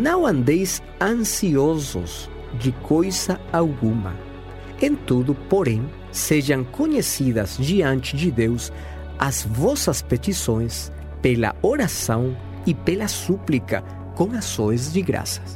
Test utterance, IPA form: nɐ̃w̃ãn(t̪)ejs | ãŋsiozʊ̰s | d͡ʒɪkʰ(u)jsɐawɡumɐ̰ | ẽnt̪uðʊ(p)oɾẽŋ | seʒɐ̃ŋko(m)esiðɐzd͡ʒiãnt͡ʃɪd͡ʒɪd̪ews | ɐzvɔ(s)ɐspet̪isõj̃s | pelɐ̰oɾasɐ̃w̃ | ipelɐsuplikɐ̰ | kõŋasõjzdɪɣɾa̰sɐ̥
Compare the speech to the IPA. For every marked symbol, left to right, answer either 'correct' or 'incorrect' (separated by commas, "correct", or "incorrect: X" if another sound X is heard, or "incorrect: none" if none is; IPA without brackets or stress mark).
incorrect: d̪, incorrect: o, correct, incorrect: ɲ, correct